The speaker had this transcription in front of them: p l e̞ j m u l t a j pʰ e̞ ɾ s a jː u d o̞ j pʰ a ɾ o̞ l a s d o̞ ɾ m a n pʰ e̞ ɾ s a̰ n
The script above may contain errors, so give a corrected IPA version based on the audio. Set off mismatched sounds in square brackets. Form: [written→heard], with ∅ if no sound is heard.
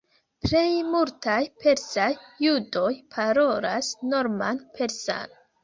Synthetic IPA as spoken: p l e̞ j m u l t a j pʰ e̞ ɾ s a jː u d o̞ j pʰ a ɾ o̞ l a s [d→n] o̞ ɾ m a n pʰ e̞ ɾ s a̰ n